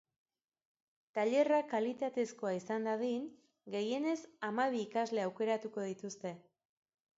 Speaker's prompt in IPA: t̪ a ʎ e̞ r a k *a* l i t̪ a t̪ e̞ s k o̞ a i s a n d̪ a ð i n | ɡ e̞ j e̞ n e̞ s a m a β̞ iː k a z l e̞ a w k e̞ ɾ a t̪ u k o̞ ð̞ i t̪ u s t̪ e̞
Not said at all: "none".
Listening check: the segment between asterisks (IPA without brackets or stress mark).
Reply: a